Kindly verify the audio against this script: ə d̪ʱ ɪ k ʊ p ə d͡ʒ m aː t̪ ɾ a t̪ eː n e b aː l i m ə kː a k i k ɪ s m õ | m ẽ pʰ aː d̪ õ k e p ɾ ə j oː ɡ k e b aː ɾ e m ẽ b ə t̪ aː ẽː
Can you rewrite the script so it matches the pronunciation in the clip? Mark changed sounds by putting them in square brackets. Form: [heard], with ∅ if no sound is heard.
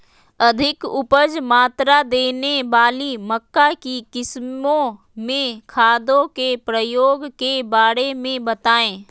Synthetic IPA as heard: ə d̪ʱ ɪ k ʊ p ə d͡ʒ m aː t̪ ɾ a [d̪] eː n e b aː l i m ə kː a k i k ɪ s m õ | m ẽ [kʰ] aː d̪ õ k e p ɾ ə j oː ɡ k e b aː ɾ e m ẽ b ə t̪ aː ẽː